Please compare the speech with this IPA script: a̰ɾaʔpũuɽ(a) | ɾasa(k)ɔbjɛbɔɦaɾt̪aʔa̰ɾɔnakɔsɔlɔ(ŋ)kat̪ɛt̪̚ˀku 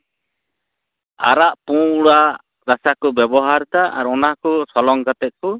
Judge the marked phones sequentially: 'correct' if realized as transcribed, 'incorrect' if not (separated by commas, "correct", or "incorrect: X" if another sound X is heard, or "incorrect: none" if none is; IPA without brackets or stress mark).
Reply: correct, correct, correct